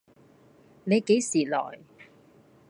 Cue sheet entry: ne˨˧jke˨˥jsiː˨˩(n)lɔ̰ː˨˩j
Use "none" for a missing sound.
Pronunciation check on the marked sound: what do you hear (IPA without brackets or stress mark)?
none